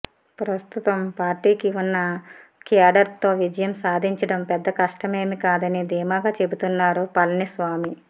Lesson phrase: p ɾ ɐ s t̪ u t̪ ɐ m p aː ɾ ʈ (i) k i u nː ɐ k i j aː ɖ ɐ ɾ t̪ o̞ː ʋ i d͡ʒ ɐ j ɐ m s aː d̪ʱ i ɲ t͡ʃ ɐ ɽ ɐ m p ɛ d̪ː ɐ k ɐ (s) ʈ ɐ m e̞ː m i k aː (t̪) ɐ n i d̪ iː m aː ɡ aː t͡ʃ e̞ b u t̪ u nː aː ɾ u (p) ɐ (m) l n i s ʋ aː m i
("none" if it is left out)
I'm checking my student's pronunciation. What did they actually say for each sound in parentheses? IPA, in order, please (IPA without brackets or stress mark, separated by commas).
iː, ʂ, d̪, p, none